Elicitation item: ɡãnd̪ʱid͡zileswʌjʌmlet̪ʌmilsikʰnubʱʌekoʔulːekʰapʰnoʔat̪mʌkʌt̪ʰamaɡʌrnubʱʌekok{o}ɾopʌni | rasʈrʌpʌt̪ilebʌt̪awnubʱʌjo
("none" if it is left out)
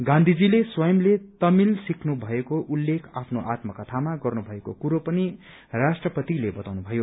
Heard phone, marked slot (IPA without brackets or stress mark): u